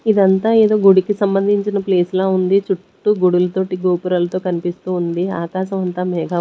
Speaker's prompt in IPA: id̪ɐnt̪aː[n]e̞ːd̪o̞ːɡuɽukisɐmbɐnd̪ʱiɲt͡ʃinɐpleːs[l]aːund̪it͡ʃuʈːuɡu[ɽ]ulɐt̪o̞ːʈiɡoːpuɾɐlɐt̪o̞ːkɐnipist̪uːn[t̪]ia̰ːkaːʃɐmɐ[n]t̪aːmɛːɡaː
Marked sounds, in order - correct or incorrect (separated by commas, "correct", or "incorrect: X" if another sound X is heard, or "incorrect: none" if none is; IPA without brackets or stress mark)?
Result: incorrect: none, correct, correct, incorrect: d̪, correct